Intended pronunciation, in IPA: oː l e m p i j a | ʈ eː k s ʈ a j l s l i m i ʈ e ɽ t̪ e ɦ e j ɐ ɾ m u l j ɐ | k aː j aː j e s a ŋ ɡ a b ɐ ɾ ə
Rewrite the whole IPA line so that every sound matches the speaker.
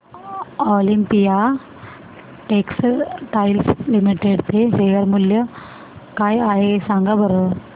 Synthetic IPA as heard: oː l i m p i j a | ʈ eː k s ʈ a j l s l i m i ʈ e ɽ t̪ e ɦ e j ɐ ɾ m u l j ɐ | k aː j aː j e s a ŋ ɡ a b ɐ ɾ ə